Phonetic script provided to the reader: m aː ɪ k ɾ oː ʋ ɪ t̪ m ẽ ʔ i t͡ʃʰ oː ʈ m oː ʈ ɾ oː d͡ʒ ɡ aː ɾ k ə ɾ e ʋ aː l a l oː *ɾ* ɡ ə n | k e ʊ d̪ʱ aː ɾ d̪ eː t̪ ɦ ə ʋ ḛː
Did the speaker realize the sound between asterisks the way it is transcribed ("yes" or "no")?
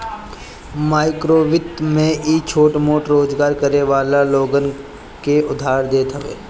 no